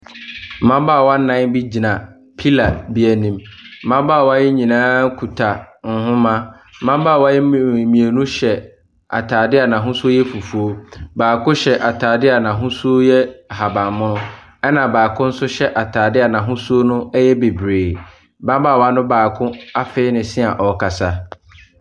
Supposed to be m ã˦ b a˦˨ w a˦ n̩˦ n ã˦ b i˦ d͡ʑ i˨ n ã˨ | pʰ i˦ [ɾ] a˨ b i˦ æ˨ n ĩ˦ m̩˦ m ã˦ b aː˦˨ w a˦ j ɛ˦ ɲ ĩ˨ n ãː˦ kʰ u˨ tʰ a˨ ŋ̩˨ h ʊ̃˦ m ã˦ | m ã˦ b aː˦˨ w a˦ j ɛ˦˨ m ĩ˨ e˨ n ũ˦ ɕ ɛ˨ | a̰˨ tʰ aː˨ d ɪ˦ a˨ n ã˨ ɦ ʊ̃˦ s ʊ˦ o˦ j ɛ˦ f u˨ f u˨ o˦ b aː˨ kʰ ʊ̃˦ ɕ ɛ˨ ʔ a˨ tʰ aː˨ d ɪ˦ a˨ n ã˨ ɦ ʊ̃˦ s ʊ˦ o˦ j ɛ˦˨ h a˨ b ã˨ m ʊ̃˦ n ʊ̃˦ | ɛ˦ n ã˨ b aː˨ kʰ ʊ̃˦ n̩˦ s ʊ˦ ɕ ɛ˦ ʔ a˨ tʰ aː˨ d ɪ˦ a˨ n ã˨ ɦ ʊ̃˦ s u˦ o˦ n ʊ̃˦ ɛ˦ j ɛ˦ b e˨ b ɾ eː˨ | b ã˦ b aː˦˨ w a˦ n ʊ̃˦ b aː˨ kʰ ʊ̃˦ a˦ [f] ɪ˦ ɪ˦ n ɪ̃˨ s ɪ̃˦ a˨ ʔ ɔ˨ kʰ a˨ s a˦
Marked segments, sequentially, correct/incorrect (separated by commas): incorrect, correct